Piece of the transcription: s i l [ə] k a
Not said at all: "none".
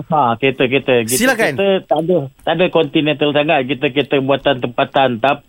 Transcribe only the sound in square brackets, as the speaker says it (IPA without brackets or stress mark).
a